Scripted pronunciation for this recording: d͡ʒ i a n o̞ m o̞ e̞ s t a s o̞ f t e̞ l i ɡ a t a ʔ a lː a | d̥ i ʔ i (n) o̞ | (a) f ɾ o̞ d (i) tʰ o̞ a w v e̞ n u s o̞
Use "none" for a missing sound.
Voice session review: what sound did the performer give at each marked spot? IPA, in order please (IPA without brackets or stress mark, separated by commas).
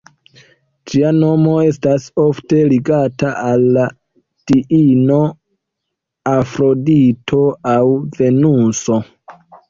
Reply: n, a, i